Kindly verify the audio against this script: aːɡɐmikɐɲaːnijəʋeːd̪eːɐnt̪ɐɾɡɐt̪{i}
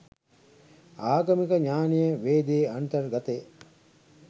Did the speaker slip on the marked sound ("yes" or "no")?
yes